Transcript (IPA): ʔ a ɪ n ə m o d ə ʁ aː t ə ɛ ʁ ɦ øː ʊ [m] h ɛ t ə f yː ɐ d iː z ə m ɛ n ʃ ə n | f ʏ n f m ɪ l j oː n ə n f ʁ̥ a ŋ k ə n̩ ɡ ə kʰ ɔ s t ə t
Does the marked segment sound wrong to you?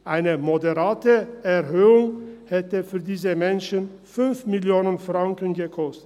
yes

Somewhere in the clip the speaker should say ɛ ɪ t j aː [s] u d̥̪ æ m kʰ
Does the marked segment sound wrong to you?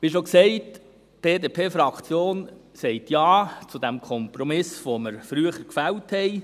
yes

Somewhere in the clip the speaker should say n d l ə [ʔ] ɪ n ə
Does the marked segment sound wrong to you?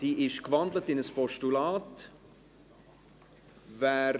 yes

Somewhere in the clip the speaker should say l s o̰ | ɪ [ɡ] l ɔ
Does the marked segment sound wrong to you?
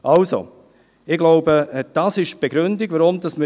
no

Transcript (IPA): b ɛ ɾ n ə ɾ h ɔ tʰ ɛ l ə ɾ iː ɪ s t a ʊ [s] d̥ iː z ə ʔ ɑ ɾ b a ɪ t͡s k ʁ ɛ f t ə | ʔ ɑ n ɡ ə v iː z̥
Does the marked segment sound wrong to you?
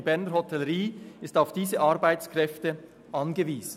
yes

